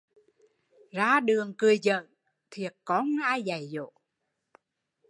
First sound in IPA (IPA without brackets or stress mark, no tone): z